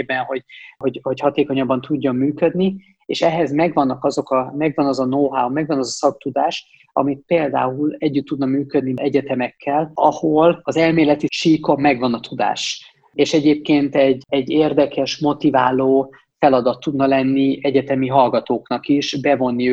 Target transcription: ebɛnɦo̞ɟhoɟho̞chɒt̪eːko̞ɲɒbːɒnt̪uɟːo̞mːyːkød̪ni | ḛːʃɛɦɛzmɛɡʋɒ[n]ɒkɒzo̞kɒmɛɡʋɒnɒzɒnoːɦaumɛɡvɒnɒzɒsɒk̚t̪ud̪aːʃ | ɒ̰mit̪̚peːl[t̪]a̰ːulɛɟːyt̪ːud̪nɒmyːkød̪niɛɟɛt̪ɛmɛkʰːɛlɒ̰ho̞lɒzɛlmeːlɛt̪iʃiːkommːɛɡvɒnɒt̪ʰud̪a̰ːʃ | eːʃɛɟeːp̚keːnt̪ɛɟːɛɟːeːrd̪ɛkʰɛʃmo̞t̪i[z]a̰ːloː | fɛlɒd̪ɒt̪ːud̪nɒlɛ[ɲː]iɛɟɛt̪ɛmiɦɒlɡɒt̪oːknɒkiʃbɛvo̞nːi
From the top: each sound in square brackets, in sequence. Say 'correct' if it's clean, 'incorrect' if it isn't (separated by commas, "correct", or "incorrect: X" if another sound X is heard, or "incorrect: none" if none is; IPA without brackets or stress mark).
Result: incorrect: nː, incorrect: d̪, incorrect: v, incorrect: nː